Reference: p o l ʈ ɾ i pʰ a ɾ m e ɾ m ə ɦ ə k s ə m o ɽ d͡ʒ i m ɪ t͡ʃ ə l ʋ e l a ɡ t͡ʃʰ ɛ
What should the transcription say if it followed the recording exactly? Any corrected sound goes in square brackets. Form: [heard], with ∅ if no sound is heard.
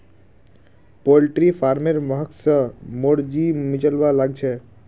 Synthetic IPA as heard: p o l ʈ ɾ i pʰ a ɾ m e ɾ m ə ɦ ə k s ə m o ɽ d͡ʒ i m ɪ t͡ʃ ə l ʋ [a] l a ɡ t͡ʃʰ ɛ